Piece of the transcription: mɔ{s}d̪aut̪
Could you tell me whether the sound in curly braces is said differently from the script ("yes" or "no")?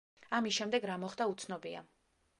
yes